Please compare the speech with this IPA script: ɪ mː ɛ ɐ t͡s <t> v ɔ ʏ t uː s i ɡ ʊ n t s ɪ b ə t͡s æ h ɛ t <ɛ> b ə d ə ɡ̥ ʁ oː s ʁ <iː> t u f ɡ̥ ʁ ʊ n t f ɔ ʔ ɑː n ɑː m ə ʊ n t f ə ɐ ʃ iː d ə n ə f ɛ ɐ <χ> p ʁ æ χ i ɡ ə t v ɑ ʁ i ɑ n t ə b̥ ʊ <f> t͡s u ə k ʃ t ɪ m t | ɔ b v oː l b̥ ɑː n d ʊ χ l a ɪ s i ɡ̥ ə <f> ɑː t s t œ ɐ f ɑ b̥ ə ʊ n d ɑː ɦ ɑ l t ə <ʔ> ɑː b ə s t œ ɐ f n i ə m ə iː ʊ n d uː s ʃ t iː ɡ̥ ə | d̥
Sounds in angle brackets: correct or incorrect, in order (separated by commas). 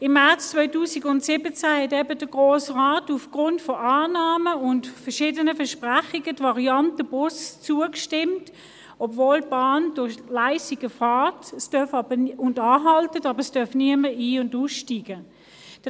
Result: incorrect, correct, incorrect, incorrect, incorrect, correct, incorrect